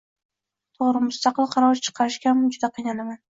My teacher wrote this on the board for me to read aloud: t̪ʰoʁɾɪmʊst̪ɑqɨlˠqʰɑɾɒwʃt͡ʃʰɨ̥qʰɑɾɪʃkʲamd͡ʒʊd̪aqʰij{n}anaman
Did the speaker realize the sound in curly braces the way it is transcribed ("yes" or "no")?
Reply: yes